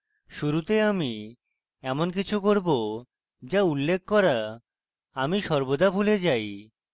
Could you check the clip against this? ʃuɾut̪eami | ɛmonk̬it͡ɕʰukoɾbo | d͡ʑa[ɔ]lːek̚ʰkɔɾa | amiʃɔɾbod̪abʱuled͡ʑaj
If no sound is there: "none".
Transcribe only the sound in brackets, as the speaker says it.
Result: u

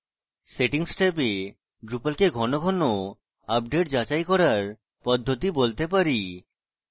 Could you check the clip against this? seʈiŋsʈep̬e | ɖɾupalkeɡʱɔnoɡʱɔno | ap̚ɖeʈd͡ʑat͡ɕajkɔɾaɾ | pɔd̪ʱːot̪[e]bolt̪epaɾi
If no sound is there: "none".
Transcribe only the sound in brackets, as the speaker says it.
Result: i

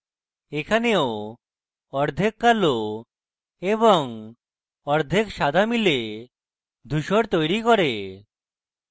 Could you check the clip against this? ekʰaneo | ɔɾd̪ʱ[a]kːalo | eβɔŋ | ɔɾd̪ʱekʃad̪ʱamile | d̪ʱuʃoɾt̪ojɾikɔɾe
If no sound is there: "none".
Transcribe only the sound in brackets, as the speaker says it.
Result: e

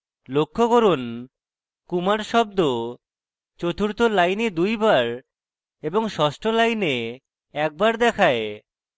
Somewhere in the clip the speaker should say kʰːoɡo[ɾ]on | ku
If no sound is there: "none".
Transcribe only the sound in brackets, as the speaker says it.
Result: ɾ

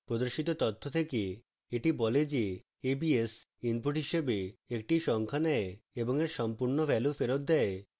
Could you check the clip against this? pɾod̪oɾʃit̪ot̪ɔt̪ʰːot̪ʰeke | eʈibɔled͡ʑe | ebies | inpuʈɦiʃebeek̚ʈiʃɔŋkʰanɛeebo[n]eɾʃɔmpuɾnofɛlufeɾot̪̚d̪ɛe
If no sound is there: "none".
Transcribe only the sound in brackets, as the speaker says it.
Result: ŋ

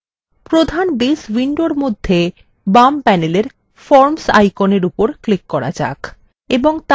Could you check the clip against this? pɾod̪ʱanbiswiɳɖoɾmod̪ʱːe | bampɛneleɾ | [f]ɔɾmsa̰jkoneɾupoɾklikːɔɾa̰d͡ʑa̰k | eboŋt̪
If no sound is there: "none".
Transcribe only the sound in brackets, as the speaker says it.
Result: f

